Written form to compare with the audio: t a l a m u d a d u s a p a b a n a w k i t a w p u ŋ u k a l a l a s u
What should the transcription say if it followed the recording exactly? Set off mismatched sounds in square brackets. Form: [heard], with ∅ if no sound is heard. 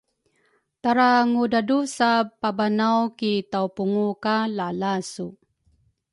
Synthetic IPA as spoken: t a [ɾ] a [ŋ] u d a d u s a p a b a n a w k i t a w p u ŋ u k a l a l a s u